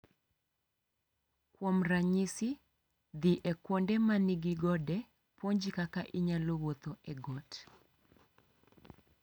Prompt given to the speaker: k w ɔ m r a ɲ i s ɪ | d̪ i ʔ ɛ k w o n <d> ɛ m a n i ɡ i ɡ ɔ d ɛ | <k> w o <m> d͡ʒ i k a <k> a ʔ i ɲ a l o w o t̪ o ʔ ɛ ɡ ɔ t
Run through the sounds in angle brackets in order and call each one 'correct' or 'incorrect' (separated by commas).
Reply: correct, incorrect, incorrect, correct